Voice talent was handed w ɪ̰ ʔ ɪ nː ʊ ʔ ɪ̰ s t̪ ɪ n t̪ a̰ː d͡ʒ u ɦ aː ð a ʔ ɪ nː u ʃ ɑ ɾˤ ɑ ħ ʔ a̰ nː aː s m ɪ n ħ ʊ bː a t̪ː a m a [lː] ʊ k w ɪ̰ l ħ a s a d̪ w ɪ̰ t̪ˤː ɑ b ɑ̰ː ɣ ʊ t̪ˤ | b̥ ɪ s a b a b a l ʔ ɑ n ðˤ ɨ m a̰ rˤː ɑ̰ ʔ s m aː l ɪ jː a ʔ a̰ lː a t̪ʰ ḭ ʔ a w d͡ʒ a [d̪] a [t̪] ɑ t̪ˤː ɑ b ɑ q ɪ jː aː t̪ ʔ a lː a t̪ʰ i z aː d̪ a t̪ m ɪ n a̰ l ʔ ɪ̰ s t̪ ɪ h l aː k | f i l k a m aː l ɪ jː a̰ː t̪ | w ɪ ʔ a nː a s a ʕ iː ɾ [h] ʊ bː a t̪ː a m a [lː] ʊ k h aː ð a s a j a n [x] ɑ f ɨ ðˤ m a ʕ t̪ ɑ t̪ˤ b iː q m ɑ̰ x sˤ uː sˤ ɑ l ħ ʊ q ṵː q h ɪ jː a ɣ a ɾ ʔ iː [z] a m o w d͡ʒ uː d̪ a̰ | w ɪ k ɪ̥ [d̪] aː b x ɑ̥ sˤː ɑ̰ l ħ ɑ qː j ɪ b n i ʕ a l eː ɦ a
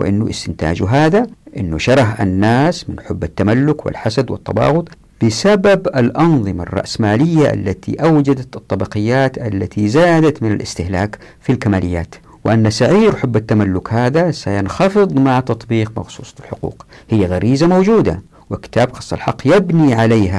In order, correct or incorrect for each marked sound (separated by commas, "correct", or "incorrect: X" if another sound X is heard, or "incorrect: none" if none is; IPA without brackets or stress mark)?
correct, correct, correct, incorrect: ħ, correct, correct, correct, incorrect: t̪